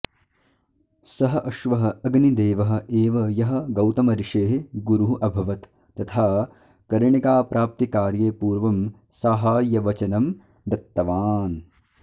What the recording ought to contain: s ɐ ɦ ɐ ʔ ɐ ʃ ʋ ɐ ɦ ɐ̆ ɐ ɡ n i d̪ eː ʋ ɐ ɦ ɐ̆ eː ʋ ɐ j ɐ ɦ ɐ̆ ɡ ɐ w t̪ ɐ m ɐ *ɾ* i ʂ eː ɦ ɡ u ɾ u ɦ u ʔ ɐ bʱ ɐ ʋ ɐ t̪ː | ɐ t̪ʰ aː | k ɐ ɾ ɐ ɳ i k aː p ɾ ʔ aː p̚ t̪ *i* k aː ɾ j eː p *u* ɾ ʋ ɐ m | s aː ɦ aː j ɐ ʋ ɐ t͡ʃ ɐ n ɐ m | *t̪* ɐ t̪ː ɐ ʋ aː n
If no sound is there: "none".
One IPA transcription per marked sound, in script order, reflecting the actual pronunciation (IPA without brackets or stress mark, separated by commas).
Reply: ɾ, i, uː, d̪